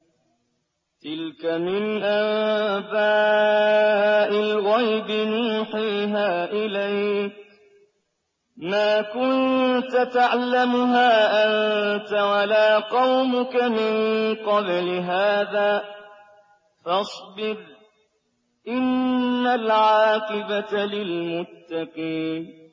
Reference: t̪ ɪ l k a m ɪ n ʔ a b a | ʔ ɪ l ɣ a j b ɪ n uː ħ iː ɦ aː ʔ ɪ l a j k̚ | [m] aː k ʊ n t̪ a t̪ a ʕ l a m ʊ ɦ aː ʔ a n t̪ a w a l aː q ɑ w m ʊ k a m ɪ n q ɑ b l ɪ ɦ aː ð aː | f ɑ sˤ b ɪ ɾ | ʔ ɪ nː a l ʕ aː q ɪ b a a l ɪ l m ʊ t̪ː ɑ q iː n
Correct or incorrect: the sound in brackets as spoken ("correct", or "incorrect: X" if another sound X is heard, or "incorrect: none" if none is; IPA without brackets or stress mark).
correct